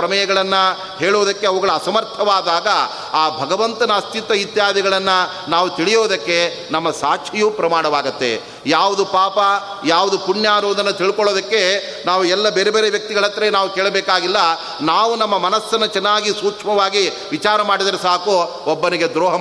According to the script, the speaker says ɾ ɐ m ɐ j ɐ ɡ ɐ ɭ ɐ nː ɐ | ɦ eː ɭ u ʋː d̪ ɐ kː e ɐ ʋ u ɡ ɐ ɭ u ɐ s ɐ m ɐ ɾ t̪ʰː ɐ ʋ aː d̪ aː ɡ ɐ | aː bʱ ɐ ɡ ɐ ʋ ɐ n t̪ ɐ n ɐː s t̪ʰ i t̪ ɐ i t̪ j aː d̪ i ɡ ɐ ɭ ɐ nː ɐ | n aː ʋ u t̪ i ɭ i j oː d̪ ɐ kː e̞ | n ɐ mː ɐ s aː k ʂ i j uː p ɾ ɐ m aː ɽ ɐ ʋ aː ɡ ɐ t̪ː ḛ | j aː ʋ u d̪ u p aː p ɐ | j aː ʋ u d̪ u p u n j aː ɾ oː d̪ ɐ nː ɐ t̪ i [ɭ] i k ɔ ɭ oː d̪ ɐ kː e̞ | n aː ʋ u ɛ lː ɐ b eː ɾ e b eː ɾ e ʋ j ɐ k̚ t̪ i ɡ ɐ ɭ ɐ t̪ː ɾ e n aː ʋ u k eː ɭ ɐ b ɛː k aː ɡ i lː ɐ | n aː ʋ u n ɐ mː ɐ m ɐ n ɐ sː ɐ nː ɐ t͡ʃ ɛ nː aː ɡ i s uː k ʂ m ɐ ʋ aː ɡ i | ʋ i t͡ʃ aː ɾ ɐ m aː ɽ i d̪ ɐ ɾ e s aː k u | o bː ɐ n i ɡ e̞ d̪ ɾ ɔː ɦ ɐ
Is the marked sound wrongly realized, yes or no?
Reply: no